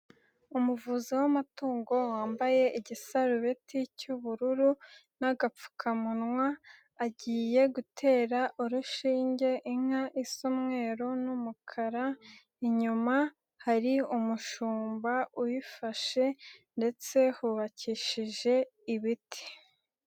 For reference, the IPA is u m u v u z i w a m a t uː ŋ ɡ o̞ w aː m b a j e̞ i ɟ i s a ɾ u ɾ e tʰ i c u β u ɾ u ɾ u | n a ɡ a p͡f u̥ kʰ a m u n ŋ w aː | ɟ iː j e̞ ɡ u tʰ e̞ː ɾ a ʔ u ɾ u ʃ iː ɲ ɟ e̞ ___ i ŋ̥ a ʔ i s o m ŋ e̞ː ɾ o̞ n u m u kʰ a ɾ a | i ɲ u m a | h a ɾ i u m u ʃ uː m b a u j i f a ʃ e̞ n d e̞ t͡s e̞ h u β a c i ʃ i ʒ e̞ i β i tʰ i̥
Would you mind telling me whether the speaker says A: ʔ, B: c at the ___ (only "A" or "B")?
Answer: A